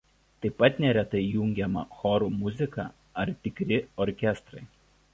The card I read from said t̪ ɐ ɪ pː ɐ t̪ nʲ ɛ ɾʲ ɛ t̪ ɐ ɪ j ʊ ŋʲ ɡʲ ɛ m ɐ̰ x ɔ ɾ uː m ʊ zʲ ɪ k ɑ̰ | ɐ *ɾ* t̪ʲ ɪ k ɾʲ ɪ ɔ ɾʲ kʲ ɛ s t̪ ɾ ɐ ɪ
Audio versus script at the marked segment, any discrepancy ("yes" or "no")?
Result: no